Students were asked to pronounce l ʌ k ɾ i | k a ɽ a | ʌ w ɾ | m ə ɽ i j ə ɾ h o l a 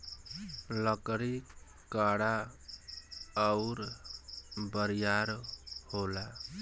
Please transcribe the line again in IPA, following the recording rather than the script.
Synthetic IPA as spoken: l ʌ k ɾ i | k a ɽ a | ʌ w ɾ | b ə ɾ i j a ɾ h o l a